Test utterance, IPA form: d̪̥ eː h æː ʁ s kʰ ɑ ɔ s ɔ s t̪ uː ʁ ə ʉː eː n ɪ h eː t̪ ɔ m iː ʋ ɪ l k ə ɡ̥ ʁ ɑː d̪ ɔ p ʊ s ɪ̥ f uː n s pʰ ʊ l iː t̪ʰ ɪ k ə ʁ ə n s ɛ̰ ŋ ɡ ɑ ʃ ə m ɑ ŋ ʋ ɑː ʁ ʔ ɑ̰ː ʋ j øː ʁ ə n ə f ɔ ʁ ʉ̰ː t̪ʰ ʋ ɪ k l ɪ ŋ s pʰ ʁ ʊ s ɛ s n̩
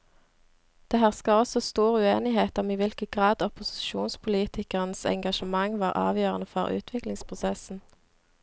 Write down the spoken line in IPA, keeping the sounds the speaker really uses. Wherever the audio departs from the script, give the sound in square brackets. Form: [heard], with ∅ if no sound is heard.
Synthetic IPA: d̪̥ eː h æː ʁ s [k] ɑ ɔ s ɔ s t̪ uː ʁ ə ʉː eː n ɪ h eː t̪ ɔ m iː ʋ ɪ l k ə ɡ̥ ʁ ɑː d̪ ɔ p ʊ s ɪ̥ [ʃ] uː n s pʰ ʊ l iː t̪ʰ ɪ k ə ʁ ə n s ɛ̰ ŋ ɡ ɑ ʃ ə m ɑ ŋ ʋ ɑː ʁ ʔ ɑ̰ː ʋ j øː ʁ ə n ə f ɔ ʁ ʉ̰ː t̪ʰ ʋ ɪ k l ɪ ŋ s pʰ ʁ ʊ s ɛ s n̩